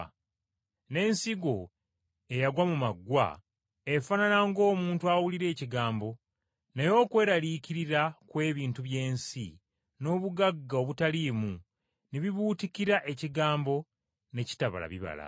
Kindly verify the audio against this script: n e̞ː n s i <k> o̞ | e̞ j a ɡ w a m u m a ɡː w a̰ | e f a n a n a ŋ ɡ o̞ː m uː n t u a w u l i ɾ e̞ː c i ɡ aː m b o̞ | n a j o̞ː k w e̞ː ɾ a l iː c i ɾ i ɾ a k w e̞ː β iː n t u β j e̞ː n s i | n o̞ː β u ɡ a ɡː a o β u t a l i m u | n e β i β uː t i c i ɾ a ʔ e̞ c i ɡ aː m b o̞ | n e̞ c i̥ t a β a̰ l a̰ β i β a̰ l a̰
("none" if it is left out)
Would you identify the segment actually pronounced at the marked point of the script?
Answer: ɡ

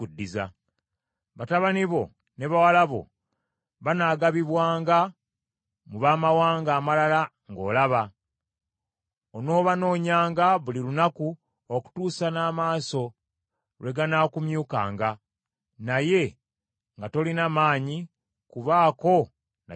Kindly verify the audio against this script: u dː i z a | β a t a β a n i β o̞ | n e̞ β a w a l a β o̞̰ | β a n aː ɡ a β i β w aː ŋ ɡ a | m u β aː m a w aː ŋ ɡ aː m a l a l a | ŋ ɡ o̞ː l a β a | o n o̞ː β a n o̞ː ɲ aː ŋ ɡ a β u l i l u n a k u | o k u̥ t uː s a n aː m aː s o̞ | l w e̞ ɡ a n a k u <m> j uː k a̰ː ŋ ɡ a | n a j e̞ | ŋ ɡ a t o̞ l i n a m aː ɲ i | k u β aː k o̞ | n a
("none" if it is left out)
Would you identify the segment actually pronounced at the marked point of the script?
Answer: m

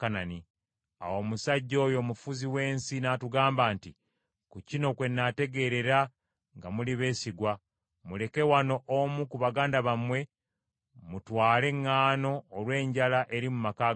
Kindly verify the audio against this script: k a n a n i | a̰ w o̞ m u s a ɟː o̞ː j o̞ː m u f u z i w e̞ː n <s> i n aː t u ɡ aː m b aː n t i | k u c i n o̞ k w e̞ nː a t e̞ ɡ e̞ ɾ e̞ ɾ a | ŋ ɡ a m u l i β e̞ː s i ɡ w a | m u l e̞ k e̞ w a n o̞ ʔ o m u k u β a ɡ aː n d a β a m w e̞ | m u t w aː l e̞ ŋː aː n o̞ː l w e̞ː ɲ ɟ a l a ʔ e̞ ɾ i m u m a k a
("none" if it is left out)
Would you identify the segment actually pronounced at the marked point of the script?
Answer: s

